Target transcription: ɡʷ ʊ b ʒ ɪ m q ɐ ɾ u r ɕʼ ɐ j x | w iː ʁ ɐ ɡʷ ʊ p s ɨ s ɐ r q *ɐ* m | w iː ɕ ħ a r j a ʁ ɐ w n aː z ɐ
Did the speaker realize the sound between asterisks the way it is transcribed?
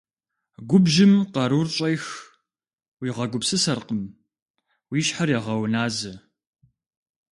no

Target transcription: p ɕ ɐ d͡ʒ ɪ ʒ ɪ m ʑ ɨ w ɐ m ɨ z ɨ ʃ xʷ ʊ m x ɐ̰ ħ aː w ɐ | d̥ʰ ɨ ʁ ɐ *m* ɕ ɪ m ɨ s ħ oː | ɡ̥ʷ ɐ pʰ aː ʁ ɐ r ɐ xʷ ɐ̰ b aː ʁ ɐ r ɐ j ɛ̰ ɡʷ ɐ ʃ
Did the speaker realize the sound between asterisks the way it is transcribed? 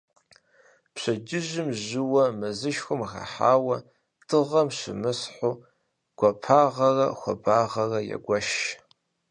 yes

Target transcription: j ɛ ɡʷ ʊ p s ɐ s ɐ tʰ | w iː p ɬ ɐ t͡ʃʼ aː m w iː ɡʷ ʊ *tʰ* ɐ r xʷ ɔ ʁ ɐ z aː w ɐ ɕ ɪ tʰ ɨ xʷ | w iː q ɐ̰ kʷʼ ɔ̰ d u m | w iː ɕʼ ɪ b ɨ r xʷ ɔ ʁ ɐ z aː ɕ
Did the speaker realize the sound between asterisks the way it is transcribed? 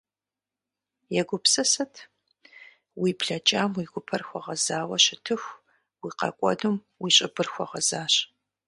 no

